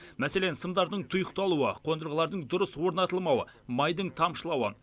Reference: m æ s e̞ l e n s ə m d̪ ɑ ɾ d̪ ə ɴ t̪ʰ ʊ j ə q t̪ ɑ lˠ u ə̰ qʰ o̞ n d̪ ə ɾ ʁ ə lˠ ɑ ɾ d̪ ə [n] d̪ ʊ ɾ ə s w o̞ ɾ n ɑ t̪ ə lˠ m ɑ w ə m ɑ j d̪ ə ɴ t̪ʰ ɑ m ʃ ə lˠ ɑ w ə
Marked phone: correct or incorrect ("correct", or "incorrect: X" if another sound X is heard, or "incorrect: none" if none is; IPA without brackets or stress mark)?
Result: incorrect: ɴ